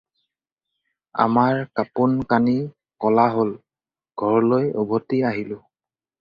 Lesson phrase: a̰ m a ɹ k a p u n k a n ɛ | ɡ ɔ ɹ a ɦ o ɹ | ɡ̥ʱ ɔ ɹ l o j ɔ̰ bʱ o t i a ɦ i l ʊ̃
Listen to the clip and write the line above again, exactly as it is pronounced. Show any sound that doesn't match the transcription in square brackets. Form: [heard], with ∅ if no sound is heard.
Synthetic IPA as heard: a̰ m a ɹ k a p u n k a n [i] | [k] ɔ [l] a ɦ o [l] | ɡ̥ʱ ɔ ɹ l o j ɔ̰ bʱ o t i a ɦ i l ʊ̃

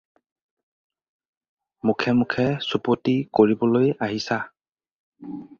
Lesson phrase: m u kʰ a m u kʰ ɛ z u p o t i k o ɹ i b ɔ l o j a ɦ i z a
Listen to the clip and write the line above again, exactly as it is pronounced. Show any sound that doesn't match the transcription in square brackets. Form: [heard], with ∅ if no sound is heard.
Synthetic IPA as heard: m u kʰ [ɛ] m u kʰ ɛ [s] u p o t i k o ɹ i b ɔ l o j a ɦ i [s] a

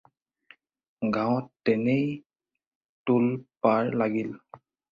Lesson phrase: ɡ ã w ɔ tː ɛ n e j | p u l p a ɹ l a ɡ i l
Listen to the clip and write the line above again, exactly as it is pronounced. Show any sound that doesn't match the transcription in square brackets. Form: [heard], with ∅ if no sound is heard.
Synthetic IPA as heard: ɡ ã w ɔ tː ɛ n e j | [t] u l p a ɹ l a ɡ i l

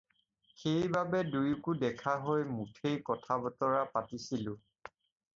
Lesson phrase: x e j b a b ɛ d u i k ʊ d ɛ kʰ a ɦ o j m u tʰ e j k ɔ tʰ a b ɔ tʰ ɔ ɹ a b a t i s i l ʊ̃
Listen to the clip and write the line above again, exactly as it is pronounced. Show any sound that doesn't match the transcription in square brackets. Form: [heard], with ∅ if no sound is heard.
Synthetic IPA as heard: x e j b a b ɛ d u [j] k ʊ d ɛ kʰ a ɦ o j m u tʰ e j k ɔ tʰ a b ɔ [t] ɔ ɹ a [p] a t i s i l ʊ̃

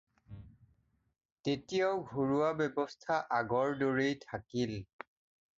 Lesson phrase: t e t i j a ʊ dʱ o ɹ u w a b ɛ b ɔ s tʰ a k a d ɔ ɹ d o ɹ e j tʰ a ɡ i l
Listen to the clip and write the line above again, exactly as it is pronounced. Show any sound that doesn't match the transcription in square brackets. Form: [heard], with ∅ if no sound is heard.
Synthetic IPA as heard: t e t i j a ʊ [ɡʱ] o ɹ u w a b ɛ b ɔ s tʰ a [ʔ] a [ɡ] ɔ ɹ d o ɹ e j tʰ a [k] i l

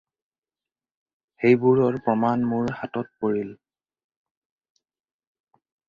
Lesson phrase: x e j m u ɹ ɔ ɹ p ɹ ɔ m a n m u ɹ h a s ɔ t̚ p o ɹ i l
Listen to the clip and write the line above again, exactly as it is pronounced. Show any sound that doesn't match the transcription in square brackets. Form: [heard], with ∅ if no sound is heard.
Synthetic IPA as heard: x e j [b] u ɹ ɔ ɹ p ɹ ɔ m a n m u ɹ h a [t] ɔ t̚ p o ɹ i l

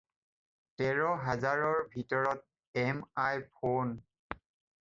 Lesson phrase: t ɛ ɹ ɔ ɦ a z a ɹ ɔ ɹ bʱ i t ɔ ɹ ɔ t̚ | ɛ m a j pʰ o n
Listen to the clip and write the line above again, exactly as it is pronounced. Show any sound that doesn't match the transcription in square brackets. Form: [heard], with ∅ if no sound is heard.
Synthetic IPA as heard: t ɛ ɹ ɔ ɦ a z a ɹ ɔ ɹ bʱ i t ɔ ɹ ɔ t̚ | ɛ m a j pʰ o n

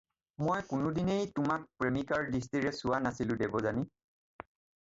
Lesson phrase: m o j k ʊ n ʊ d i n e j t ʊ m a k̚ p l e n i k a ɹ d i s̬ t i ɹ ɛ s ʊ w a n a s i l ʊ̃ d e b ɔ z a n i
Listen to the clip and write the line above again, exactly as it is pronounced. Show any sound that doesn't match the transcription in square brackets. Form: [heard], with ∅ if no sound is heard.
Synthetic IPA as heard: m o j k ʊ n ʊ d i n e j t ʊ m a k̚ p [ɹ] e [m] i k a ɹ d i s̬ t i ɹ ɛ s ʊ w a n a s i l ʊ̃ d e b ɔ z a n i

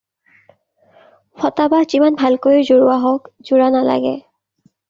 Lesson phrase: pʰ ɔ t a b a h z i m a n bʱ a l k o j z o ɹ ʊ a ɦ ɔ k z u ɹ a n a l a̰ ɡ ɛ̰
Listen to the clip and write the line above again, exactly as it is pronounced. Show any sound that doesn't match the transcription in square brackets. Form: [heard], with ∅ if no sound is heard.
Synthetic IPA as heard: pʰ ɔ t a b a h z i m a n bʱ a l k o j z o ɹ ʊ a ɦ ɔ k z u ɹ a n a l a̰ ɡ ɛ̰

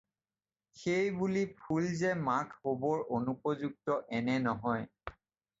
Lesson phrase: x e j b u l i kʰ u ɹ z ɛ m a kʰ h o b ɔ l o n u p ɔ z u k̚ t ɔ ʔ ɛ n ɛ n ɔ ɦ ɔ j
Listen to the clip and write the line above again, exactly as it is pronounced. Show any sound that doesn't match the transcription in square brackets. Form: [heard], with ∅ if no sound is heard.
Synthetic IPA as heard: x e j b u l i [pʰ] u [l] z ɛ m a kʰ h o b ɔ [ɹ] o n u p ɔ z u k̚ t ɔ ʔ ɛ n ɛ n ɔ ɦ ɔ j

